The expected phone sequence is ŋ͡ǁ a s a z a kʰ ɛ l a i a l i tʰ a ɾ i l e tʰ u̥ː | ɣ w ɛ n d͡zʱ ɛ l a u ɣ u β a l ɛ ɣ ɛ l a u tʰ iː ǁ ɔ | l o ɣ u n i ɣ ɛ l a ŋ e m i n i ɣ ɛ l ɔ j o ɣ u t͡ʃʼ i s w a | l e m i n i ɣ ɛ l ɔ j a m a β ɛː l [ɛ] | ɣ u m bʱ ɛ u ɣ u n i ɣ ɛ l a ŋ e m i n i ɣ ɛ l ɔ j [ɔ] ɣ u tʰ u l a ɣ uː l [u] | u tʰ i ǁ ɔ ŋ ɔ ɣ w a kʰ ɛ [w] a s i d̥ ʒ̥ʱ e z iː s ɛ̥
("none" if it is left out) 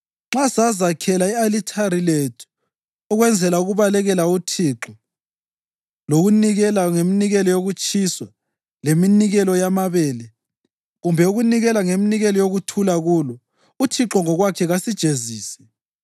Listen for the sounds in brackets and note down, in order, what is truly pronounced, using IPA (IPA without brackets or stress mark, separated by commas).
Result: ɛ, o, ɔ, ɣ